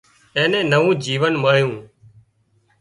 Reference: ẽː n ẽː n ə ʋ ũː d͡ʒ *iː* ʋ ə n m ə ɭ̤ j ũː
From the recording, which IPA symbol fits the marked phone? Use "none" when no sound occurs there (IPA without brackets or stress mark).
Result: iː